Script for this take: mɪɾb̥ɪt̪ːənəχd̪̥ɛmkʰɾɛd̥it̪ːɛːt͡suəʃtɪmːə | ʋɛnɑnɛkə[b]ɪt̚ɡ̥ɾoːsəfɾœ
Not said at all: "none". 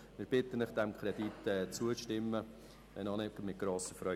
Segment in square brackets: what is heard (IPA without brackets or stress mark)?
m